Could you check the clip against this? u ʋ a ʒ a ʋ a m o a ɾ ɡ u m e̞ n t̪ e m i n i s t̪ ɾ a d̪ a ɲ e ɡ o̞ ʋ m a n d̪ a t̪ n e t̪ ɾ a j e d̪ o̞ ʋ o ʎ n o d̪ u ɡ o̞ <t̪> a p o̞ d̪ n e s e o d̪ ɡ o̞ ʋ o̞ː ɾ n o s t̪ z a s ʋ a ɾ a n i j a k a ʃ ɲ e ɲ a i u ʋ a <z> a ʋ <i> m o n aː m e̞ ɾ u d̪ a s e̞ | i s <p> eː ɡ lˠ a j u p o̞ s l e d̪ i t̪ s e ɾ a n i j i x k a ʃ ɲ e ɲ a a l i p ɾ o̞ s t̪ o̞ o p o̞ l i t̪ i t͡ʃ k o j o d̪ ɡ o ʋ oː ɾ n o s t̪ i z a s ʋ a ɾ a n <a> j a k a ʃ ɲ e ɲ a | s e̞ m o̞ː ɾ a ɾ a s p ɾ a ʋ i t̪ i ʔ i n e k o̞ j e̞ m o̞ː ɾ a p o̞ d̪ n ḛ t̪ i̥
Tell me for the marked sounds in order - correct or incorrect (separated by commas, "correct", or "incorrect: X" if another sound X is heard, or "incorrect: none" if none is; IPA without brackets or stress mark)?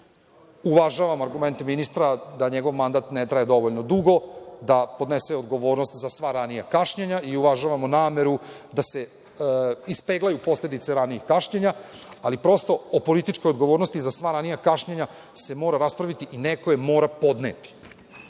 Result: incorrect: d̪, incorrect: ʒ, incorrect: a, correct, incorrect: i